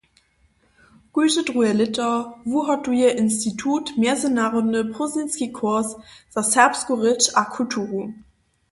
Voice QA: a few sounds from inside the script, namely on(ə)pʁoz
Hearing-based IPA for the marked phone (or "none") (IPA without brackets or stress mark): ə